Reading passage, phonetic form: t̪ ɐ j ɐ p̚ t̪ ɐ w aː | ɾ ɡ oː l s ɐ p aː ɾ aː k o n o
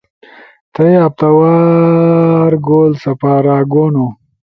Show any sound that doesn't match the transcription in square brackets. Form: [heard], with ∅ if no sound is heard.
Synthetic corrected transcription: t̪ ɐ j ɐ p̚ t̪ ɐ w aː | ɾ ɡ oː l s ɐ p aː ɾ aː [ɡ] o n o